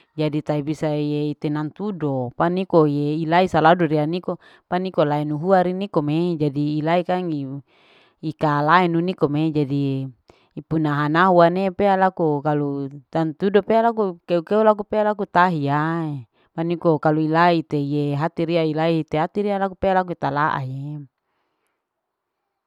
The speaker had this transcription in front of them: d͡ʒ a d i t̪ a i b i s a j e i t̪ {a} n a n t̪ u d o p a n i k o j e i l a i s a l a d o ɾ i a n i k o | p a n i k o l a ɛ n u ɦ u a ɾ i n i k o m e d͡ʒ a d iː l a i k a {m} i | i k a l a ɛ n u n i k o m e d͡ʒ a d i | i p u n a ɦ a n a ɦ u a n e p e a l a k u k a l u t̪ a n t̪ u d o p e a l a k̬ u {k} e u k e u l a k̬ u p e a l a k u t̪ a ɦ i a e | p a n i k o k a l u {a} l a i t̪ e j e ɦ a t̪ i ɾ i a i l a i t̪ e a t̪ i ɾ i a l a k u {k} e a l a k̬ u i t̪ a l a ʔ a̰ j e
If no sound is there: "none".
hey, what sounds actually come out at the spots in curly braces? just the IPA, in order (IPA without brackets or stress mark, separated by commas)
e, ŋ, k, i, p